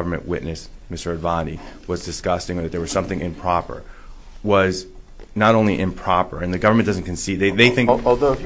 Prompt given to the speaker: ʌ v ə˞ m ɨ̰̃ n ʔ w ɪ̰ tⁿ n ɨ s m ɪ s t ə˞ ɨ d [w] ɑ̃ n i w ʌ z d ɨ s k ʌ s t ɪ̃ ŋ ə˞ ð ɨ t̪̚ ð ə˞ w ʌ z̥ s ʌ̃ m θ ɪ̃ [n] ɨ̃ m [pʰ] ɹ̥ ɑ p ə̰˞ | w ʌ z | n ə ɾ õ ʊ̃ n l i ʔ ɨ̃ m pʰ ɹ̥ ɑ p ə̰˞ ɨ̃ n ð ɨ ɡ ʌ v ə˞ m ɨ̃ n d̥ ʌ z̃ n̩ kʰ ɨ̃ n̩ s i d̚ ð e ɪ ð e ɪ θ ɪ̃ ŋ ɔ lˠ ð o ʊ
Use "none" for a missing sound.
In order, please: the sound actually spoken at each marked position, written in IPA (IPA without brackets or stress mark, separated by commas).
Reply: v, ŋ, pʰ